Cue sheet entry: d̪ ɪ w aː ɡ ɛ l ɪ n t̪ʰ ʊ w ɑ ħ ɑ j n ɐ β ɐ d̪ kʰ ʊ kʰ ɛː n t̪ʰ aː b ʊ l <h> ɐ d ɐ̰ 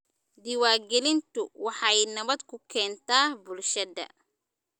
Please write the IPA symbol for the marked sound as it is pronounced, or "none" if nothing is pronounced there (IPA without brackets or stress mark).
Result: ʃ